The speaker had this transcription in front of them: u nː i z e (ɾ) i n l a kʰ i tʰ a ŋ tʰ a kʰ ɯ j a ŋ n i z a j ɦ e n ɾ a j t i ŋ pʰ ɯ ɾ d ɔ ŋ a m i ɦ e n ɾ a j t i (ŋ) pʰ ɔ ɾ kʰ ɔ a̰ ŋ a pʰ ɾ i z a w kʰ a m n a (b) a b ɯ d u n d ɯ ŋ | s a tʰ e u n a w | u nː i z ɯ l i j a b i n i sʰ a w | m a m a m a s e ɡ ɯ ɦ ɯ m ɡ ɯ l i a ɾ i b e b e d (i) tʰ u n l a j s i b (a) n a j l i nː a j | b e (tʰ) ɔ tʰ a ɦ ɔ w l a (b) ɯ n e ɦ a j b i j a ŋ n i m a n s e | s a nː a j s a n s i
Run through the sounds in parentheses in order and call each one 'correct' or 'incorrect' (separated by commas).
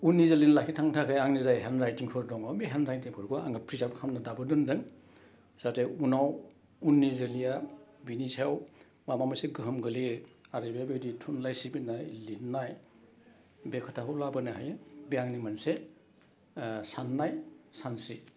incorrect, correct, incorrect, correct, incorrect, incorrect, correct